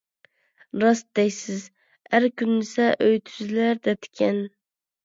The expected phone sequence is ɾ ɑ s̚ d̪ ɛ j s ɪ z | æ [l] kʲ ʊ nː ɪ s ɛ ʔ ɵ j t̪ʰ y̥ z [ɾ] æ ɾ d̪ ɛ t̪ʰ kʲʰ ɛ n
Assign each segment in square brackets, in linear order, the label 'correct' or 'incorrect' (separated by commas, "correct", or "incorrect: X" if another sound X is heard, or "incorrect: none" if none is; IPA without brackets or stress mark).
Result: incorrect: ɾ, incorrect: l